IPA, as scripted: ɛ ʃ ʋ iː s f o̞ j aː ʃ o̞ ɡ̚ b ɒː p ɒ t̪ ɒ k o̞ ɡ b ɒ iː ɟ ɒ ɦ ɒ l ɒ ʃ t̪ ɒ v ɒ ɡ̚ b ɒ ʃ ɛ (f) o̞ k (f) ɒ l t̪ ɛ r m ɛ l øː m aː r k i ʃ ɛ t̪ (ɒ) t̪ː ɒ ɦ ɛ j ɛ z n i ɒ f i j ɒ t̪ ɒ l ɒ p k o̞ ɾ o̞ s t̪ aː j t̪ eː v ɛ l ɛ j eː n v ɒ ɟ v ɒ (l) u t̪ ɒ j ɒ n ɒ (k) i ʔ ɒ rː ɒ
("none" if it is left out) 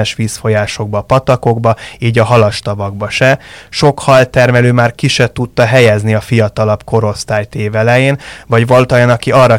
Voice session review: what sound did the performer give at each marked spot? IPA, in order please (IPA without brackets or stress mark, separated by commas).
ʃ, h, u, l, k